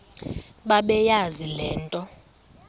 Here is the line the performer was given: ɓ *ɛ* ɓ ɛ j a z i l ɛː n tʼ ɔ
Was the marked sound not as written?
yes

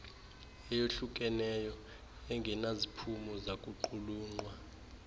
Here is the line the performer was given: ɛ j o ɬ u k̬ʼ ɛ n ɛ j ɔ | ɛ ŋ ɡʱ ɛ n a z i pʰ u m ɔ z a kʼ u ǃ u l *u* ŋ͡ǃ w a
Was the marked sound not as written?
yes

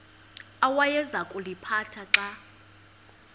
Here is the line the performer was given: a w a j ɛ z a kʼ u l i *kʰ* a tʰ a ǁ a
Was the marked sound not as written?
yes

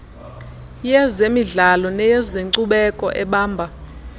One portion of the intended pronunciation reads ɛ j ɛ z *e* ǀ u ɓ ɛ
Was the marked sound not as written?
no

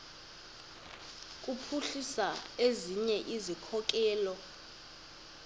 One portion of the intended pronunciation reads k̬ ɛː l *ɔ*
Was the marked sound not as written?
no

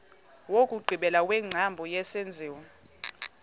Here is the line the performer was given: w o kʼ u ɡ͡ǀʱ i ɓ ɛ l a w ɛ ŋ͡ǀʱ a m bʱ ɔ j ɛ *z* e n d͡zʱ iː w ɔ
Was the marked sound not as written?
yes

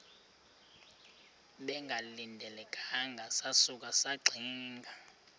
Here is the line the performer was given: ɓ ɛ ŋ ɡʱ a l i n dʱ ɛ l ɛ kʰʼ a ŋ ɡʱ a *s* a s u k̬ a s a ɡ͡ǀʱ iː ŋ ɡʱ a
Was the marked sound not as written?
no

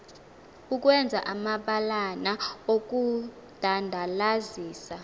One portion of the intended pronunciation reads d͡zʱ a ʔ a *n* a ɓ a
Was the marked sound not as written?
yes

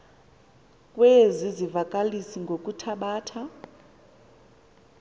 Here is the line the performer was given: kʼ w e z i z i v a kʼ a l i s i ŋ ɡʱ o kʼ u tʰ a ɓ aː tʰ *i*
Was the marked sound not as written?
yes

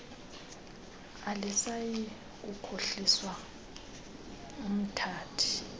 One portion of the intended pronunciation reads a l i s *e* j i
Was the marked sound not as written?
yes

